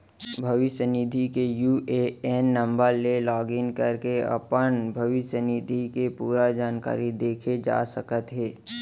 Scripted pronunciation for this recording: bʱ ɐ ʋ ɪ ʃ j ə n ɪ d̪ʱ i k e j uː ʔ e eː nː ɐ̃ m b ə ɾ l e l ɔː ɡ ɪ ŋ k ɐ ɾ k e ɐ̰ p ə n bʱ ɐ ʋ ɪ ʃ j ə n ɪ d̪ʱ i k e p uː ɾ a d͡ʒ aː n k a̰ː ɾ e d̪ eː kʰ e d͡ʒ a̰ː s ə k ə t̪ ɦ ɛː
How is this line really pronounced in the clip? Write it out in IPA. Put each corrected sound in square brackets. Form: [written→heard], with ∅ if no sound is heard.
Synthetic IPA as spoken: bʱ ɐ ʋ ɪ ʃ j ə n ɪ d̪ʱ i k e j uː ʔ e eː nː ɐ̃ m b ə ɾ l e l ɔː ɡ ɪ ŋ k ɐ ɾ k e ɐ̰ p ə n bʱ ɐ ʋ ɪ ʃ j ə n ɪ d̪ʱ i k e p uː ɾ a d͡ʒ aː n k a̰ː ɾ [e→i] d̪ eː kʰ e d͡ʒ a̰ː s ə k ə t̪ ɦ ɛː